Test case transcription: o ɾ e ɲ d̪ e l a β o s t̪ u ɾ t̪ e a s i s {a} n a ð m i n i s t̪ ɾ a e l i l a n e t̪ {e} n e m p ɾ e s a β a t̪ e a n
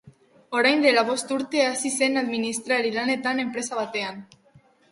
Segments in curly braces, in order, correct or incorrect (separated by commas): incorrect, incorrect